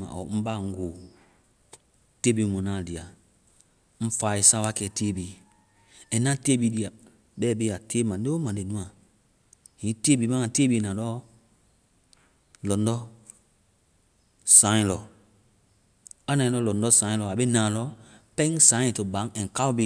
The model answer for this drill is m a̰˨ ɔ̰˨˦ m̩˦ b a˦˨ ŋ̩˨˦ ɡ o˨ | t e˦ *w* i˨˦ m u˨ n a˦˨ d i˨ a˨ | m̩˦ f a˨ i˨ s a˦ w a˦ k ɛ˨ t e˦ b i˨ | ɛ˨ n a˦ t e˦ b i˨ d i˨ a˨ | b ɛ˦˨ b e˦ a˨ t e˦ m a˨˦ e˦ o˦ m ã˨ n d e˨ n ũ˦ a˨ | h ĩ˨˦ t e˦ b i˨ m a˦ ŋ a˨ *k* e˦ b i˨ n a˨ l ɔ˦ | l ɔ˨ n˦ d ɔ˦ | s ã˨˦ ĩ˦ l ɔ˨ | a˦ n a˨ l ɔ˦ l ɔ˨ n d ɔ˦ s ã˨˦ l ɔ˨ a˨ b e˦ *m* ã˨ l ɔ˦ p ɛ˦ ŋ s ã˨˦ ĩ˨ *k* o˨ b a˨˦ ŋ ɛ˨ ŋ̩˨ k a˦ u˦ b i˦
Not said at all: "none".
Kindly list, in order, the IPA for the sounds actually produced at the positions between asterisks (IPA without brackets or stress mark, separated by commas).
b, t, n, t